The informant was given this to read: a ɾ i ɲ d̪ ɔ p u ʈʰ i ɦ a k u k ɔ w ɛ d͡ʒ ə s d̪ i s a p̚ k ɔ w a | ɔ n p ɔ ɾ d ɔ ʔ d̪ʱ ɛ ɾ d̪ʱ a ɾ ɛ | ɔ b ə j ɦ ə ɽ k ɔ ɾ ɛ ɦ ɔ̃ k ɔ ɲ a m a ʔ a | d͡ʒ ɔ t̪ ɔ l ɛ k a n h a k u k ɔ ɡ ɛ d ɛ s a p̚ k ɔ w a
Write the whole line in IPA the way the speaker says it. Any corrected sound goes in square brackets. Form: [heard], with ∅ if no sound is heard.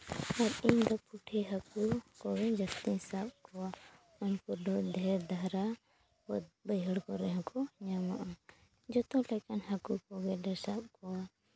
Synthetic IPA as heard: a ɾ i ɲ d̪ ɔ p u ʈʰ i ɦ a k u k ɔ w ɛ d͡ʒ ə s [t̪] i s a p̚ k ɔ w a | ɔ n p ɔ ɾ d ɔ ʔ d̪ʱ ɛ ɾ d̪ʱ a ɾ [a] | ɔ b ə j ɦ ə ɽ k ɔ ɾ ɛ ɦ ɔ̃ k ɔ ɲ a m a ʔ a | d͡ʒ ɔ t̪ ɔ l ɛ k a n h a k u k ɔ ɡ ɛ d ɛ s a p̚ k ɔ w a